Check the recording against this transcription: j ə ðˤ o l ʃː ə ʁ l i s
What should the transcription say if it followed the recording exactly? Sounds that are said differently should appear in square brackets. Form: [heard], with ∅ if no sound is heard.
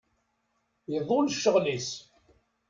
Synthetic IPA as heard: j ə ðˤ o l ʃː ə ʁ l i s